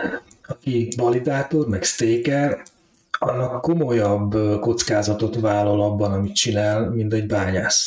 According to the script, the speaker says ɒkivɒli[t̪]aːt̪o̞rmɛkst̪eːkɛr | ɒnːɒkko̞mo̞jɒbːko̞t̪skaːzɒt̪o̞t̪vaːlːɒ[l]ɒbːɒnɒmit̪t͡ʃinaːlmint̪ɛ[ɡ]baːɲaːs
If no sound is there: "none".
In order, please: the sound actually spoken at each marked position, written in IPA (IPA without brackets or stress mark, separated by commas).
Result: d̪, l, ɟ